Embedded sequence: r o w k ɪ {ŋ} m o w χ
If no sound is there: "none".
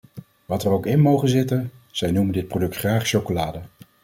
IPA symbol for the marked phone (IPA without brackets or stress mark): n